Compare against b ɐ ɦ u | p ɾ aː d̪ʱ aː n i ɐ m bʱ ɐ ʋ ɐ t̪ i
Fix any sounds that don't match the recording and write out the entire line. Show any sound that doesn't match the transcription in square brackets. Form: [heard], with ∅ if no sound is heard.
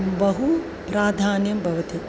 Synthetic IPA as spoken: b ɐ ɦ u | p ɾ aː d̪ʱ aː n [j] ɐ m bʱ ɐ ʋ ɐ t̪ i